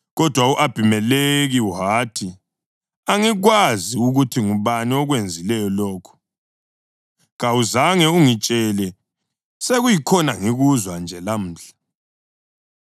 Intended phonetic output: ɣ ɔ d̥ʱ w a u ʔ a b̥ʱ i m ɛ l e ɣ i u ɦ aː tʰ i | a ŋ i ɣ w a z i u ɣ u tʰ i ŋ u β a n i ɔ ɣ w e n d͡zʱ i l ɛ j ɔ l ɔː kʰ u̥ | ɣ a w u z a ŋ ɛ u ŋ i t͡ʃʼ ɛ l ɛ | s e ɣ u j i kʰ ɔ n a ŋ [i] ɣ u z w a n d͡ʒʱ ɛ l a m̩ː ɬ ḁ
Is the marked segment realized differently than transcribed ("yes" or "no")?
no